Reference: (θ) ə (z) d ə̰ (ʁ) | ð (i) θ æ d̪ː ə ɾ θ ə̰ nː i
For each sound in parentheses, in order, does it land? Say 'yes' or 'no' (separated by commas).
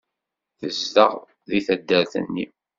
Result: yes, yes, yes, yes